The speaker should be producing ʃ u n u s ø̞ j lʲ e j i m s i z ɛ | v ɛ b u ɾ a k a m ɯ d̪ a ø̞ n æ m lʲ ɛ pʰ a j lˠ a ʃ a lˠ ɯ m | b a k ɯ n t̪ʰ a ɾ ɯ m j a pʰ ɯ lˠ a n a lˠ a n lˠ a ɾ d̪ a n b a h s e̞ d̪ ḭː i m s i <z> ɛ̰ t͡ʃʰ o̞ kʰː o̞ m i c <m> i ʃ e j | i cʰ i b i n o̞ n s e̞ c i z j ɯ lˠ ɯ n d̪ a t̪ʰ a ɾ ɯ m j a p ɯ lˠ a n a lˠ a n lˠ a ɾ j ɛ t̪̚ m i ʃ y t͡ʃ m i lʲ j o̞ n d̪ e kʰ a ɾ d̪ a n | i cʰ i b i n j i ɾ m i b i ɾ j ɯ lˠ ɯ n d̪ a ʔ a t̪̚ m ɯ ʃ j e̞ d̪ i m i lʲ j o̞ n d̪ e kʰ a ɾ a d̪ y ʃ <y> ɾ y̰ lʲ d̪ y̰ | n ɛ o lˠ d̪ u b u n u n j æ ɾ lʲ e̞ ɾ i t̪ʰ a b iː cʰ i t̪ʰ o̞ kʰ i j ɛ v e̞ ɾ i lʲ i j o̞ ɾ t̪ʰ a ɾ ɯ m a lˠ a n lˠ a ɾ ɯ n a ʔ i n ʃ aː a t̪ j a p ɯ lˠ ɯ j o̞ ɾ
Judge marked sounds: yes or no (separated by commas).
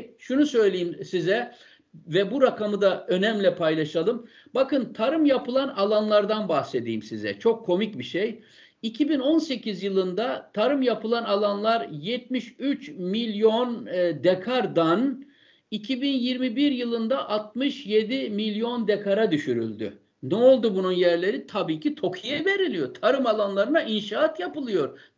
yes, no, yes